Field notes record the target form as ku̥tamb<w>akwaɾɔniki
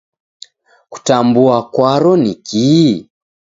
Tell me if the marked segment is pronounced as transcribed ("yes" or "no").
no